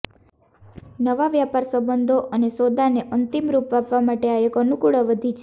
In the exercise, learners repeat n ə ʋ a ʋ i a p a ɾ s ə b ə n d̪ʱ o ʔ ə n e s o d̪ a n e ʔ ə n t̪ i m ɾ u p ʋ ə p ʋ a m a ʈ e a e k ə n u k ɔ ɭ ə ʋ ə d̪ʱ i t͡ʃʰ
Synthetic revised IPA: n ə ʋ a ʋ j a p a ɾ s ə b ə n d̪ʱ o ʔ ə n e s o d̪ a n e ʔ ə n t̪ i m ɾ u p ʋ a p ʋ a m a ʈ e a e k ə n u k u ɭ ə ʋ ə d̪ʱ i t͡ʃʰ